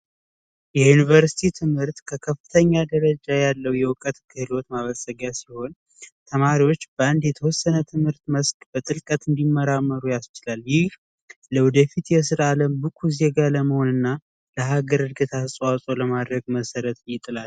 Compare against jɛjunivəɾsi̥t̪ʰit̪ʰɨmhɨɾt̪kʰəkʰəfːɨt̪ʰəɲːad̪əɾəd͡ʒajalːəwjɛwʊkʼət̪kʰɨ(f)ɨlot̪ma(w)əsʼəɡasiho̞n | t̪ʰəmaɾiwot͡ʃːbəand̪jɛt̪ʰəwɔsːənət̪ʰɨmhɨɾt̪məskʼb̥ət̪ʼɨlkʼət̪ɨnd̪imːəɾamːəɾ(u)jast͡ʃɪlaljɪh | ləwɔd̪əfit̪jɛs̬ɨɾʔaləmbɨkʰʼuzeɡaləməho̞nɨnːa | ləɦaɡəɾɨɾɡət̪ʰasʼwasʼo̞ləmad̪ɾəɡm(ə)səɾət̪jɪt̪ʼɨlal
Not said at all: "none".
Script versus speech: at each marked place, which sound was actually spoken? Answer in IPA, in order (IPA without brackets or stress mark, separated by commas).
h, β, u, ə